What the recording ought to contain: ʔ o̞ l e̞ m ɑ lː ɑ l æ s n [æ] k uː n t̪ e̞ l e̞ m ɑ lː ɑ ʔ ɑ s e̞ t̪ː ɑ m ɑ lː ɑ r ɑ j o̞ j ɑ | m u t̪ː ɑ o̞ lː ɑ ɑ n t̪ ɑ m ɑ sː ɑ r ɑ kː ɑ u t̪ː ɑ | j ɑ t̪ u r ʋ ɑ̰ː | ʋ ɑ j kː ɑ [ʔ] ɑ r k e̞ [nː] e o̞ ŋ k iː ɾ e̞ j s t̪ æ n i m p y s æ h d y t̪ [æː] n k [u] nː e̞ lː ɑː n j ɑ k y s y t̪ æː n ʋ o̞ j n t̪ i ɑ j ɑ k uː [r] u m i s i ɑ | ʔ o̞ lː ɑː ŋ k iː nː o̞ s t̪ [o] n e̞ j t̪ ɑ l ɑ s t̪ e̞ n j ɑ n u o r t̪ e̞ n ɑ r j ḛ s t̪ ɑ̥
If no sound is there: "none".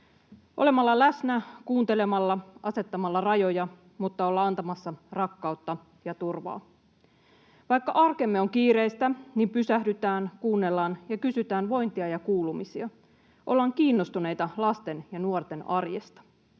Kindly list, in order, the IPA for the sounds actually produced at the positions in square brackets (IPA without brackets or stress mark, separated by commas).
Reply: æ, ʔ, mː, æː, uː, l, u